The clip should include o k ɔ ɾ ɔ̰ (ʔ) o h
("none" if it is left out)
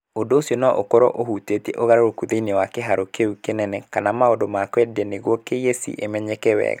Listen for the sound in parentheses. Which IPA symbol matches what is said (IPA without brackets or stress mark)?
ʔ